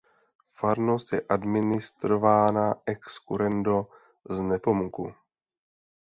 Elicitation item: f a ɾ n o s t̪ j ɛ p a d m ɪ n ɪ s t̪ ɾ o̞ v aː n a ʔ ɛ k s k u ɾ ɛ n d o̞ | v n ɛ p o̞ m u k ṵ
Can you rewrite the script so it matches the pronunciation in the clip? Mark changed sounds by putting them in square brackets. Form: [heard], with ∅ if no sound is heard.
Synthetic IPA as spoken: f a ɾ n o s t̪ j ɛ [ʔ] a d m ɪ n ɪ s t̪ ɾ o̞ v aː n a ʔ ɛ k s k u ɾ ɛ n d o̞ | [z] n ɛ p o̞ m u k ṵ